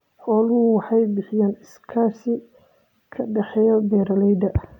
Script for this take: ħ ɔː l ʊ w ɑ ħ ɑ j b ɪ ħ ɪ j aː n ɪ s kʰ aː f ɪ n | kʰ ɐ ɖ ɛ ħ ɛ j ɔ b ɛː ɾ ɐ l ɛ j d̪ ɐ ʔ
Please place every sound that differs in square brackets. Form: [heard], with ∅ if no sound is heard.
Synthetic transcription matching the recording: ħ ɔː l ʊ w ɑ ħ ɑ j b ɪ ħ ɪ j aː n ɪ s kʰ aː [s] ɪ [∅] | kʰ ɐ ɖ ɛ ħ ɛ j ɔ b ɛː ɾ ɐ l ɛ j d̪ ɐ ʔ